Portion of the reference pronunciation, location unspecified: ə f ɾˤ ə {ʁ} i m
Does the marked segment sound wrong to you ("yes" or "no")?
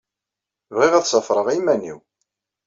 no